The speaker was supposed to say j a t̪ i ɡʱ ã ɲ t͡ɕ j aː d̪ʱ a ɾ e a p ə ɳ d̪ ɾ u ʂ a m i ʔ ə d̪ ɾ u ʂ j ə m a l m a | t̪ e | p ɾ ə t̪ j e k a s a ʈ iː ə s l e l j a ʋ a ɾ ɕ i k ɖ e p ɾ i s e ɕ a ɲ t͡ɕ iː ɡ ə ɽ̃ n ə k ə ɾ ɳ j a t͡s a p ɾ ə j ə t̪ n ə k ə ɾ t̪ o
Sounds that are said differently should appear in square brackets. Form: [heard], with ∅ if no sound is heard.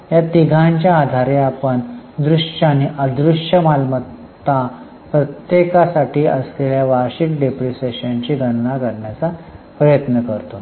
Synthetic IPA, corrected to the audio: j a t̪ i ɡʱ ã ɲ t͡ɕ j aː d̪ʱ a ɾ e a p ə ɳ d̪ ɾ u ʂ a [n] i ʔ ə d̪ ɾ u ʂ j ə m a l m [ə] | t̪ [a] | p ɾ ə t̪ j e k a s a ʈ iː ə s l e l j a ʋ a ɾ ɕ i k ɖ e p ɾ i s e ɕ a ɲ t͡ɕ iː ɡ ə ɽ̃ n [a] k ə ɾ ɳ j a t͡s a p ɾ ə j ə t̪ n ə k ə ɾ t̪ o